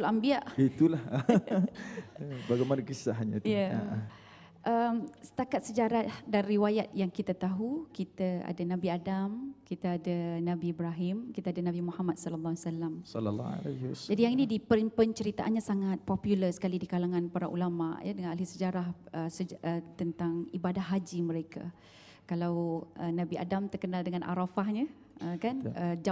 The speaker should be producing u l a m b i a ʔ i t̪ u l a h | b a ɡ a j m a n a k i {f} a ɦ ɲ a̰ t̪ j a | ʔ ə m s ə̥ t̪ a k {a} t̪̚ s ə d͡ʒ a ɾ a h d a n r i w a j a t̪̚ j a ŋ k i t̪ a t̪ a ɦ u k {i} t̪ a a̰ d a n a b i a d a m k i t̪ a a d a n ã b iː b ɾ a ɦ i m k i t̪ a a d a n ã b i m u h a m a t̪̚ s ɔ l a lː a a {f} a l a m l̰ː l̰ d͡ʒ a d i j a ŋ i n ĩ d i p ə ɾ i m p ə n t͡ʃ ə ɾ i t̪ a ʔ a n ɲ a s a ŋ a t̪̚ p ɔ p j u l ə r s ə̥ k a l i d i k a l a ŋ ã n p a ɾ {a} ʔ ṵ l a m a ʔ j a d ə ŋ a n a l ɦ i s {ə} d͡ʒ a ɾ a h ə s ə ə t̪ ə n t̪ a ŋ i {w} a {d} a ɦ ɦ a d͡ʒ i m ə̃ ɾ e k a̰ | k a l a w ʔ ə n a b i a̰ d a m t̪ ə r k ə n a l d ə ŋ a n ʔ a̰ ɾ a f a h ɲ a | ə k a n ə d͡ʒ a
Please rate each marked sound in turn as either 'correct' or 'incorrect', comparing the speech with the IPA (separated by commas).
incorrect, correct, correct, incorrect, correct, correct, incorrect, correct